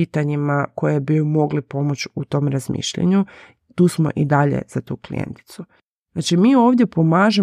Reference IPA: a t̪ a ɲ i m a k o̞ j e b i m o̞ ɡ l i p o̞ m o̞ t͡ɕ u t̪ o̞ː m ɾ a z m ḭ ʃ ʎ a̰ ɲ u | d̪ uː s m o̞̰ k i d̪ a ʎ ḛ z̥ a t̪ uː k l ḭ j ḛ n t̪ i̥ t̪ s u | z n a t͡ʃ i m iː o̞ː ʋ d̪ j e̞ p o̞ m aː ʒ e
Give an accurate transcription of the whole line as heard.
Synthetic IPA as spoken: i t̪ a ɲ i m a k o̞ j e b i m o̞ ɡ l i p o̞ m o̞ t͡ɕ u t̪ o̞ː m ɾ a z m ḭ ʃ ʎ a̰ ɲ u | t̪ uː s m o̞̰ ʔ i d̪ a ʎ ḛ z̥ a t̪ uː k l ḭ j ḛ n t̪ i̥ t̪ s u | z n a t͡ʃ i m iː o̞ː ʋ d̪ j e̞ p o̞ m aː ʒ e